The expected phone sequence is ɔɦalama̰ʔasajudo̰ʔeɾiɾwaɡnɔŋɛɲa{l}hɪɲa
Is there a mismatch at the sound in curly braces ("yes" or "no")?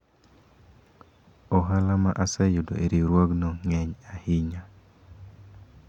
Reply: yes